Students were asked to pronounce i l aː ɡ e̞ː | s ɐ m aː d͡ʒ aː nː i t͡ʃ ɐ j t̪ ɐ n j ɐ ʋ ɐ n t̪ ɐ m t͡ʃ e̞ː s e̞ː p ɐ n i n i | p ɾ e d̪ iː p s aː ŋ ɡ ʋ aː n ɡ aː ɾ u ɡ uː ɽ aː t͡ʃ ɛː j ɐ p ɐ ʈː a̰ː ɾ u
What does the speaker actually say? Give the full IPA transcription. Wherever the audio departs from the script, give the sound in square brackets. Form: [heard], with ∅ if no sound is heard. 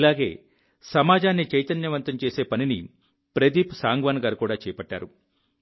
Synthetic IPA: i l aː ɡ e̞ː | s ɐ m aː d͡ʒ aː nː i t͡ʃ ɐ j t̪ ɐ n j ɐ ʋ ɐ n t̪ ɐ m t͡ʃ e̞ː s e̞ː p ɐ n i n i | p ɾ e d̪ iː p s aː ŋ ɡ ʋ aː n ɡ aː ɾ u [k] uː ɽ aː t͡ʃ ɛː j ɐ p ɐ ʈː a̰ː ɾ u